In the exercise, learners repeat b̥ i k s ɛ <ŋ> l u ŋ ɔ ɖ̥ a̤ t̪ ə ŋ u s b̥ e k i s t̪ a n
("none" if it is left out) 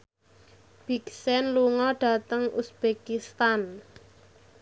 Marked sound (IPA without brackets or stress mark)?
n